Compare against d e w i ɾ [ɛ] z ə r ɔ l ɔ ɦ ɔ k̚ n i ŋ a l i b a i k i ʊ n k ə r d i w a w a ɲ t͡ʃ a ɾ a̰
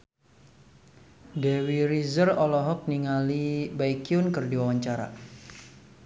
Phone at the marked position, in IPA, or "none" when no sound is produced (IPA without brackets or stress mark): i